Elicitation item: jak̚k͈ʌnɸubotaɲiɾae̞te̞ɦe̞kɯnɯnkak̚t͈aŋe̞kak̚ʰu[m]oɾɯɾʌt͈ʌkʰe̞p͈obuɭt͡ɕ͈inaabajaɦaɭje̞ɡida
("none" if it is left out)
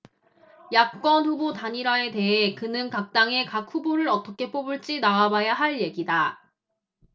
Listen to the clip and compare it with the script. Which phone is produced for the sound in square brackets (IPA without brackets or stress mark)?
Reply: b